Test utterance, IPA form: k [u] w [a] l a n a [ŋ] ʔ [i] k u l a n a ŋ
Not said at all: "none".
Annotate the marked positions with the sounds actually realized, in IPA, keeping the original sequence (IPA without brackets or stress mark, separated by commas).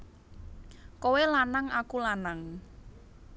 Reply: o, e, ŋ, a